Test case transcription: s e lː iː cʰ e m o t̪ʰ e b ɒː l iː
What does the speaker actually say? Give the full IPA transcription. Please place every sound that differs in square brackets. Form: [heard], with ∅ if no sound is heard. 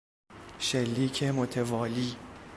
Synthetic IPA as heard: [ʃ] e lː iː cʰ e m o t̪ʰ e [v] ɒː l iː